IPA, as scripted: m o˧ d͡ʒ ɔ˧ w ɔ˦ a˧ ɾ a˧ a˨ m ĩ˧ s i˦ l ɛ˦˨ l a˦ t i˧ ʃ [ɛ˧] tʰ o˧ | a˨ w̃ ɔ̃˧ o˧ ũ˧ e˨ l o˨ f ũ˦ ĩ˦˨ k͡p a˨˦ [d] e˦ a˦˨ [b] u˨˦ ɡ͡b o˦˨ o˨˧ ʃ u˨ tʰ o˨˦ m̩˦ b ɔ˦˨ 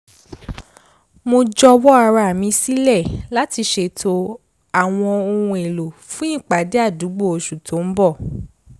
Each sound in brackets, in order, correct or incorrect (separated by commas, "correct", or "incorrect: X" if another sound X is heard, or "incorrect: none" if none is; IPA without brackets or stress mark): incorrect: e˧, correct, incorrect: d